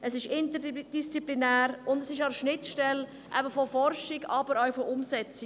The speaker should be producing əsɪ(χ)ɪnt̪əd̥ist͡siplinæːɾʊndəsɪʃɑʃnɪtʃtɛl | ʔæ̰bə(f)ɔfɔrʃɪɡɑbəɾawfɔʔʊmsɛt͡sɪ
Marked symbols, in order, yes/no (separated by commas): no, yes